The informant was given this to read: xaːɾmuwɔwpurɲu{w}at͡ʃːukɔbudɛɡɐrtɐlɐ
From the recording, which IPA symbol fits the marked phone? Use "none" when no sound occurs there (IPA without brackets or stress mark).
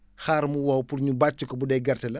b